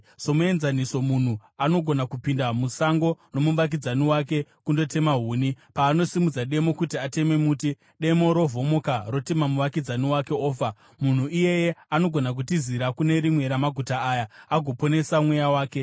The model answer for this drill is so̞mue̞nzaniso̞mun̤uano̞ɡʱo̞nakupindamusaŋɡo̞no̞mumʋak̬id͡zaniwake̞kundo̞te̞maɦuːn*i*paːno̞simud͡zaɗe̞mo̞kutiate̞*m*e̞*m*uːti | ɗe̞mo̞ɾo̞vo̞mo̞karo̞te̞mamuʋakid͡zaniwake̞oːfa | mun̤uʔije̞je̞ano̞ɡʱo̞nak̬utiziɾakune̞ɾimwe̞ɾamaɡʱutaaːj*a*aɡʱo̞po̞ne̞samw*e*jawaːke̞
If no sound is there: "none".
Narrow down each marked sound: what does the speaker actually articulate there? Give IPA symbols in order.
i, m, m, a, e

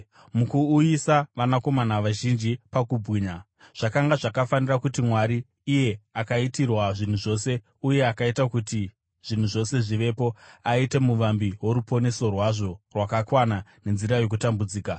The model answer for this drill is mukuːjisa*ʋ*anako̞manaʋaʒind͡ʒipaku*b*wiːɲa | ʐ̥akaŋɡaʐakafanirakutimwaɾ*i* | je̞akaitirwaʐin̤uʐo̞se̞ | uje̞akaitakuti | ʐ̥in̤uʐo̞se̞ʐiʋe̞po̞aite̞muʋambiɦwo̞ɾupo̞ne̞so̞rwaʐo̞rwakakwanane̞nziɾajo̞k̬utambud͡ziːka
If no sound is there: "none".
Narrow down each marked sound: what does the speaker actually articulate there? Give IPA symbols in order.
ʋ, b, iː

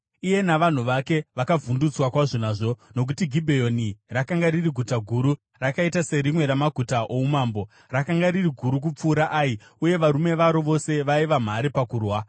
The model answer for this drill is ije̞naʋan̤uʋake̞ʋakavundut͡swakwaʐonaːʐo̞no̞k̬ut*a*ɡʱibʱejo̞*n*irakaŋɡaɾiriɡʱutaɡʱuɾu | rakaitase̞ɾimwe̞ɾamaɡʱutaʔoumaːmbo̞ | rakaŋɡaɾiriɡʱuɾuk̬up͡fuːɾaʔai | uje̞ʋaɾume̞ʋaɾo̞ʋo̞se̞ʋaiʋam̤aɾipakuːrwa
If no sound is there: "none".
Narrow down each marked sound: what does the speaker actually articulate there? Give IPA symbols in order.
i, n

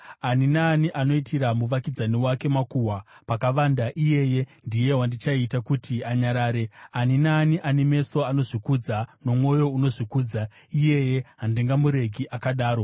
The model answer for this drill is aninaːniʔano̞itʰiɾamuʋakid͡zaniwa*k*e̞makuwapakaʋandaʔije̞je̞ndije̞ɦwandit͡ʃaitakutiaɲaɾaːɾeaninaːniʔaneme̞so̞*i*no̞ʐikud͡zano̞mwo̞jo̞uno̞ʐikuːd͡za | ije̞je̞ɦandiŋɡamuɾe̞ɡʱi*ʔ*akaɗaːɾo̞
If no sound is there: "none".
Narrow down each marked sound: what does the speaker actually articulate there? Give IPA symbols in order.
k, a, ʔ

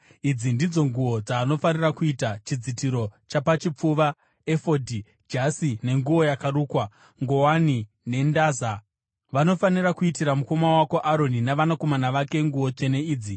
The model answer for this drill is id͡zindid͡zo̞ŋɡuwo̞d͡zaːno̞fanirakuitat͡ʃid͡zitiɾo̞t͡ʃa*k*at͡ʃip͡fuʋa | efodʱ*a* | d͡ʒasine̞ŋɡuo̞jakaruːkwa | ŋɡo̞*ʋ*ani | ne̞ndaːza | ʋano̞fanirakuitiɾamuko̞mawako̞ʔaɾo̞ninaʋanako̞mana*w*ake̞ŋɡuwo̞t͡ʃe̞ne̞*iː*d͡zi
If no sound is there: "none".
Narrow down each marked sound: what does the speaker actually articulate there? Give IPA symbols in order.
p, i, w, ʋ, iː

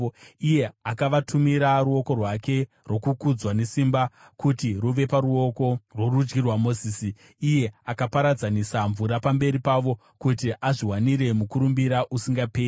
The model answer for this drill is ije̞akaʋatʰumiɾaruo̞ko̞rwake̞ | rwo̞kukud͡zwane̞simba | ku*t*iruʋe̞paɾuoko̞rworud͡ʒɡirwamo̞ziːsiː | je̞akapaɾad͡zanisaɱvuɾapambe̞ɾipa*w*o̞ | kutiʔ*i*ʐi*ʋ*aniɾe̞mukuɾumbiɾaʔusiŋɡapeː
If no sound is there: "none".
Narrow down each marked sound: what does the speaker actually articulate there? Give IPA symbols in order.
t, ʋ, a, w

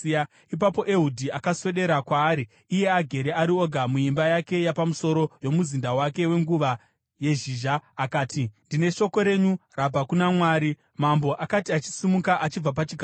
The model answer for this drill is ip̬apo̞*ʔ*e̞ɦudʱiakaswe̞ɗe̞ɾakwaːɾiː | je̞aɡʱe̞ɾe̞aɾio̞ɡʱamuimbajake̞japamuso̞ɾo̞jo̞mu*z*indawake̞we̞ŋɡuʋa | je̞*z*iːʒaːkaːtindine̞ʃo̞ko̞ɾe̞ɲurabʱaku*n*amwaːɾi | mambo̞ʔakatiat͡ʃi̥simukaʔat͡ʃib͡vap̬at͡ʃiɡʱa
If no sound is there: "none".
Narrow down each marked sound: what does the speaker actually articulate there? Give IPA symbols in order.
ʔ, z, ʒ, n

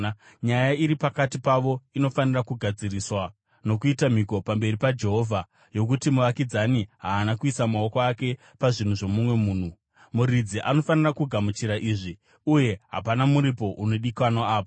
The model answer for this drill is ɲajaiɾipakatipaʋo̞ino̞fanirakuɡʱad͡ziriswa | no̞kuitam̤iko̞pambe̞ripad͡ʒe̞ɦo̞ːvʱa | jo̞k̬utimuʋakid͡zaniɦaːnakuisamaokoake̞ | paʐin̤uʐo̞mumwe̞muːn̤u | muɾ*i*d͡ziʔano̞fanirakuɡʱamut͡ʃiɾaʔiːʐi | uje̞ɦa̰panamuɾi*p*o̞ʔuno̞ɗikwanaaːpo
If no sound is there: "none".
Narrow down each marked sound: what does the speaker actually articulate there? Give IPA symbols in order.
i, p

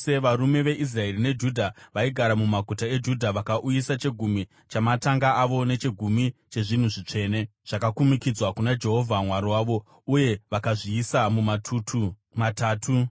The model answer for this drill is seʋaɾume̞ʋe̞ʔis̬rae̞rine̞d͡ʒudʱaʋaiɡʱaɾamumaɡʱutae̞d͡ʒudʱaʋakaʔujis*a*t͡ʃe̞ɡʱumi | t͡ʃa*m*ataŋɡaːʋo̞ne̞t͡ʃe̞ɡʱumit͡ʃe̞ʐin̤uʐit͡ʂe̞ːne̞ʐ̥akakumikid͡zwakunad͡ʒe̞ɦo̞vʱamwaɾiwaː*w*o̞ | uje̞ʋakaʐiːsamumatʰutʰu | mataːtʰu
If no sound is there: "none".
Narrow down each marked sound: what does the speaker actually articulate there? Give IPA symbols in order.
a, m, ʋ

